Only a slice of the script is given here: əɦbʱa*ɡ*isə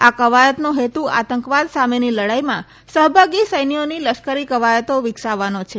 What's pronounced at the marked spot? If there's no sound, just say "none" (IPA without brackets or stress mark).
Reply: ɡ